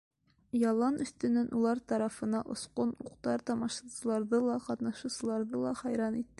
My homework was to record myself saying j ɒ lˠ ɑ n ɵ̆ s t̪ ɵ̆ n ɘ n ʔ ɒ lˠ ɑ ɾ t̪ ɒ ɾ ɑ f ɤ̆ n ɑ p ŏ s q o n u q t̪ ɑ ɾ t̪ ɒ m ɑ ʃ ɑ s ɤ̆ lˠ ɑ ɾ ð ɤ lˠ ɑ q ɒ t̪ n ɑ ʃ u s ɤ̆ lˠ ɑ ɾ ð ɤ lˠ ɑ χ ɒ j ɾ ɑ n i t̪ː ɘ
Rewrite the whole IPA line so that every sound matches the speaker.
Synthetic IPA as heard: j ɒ lˠ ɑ n ɵ̆ s t̪ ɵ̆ n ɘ n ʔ u lˠ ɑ ɾ t̪ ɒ ɾ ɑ f ɤ̆ n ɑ ʔ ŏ s q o n u q t̪ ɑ ɾ t̪ ɒ m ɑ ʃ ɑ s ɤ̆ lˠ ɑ ɾ ð ɤ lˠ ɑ q ɒ t̪ n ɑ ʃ u s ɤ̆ lˠ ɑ ɾ ð ɤ lˠ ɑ χ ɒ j ɾ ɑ n i t̪ː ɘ